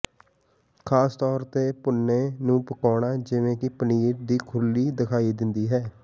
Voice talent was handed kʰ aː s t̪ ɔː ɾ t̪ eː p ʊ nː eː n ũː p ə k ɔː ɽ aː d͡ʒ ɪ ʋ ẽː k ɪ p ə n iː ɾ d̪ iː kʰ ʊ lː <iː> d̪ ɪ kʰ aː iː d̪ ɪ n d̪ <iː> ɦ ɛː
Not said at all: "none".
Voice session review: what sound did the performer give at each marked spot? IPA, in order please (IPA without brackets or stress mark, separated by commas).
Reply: iː, iː